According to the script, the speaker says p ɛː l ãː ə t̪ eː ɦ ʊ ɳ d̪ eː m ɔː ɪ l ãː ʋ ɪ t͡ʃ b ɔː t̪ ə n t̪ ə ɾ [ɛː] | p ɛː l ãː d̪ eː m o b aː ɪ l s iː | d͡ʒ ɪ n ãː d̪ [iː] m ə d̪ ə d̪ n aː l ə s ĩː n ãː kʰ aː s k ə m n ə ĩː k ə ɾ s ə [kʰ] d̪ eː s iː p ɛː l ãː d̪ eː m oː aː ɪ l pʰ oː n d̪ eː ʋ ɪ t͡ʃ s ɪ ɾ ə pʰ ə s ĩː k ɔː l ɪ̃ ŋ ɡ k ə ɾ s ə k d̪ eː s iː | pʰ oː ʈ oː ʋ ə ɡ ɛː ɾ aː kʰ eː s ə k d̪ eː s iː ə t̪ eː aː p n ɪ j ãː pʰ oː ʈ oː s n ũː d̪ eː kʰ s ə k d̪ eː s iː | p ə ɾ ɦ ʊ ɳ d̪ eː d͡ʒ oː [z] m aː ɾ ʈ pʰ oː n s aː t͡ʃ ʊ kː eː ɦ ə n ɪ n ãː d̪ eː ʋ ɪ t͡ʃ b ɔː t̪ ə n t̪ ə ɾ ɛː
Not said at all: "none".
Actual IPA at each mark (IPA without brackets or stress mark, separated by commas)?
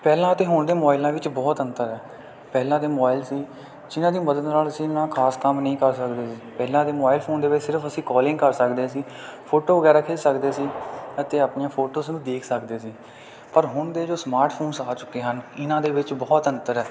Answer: ɛː, iː, k, s